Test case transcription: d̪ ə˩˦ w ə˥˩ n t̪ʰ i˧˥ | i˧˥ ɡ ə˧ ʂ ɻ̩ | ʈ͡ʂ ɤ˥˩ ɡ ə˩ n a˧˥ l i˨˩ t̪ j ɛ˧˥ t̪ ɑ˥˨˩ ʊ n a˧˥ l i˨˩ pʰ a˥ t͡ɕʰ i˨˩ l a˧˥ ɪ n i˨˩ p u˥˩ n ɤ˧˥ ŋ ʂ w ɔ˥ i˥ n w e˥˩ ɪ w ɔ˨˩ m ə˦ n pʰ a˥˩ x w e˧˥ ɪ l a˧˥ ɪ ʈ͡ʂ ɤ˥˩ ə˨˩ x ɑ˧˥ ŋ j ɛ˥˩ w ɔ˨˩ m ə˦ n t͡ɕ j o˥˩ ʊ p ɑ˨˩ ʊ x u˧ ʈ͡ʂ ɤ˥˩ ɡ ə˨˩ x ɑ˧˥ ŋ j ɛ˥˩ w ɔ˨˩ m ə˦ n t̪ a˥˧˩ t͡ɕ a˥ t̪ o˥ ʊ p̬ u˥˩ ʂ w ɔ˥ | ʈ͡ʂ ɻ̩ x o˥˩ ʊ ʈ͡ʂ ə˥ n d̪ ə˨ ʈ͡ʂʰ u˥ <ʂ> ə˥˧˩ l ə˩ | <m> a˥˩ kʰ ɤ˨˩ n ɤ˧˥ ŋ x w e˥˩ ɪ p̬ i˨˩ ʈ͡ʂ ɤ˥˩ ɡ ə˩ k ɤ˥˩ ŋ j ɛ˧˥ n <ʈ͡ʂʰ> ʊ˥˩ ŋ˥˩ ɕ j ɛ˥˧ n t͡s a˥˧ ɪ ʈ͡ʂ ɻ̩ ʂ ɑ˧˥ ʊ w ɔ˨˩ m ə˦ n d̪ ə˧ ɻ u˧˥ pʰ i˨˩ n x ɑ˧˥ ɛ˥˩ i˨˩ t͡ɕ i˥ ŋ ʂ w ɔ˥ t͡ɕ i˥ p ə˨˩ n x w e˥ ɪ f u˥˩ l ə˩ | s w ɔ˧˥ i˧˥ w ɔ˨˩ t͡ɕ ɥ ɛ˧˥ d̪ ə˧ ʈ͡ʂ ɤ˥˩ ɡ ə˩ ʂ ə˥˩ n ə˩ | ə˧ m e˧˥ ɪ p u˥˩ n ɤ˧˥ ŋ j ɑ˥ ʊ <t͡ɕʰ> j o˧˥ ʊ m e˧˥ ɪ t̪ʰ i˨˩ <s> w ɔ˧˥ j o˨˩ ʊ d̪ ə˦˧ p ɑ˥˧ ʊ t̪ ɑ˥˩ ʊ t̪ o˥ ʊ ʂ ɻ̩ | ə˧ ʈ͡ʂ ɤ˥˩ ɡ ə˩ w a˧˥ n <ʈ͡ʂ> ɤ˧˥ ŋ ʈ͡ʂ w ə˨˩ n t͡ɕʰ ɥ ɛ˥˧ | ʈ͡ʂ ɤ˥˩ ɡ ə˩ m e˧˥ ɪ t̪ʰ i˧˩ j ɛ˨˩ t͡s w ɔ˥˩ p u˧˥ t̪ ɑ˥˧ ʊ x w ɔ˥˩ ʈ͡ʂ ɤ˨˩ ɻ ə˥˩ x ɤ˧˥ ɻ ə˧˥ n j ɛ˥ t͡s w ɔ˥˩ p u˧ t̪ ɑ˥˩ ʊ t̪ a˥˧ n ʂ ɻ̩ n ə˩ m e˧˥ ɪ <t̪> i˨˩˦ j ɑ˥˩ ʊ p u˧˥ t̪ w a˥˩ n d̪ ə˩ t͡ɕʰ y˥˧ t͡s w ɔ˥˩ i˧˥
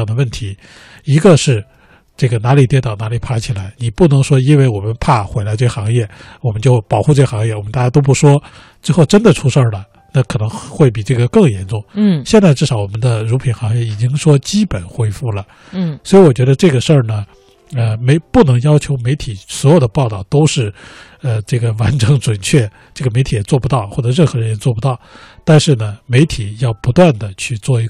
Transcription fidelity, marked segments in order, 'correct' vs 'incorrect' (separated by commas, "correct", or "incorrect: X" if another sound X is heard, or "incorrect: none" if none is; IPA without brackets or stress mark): correct, incorrect: n, incorrect: ʈ͡ʂ, correct, correct, correct, incorrect: t̪ʰ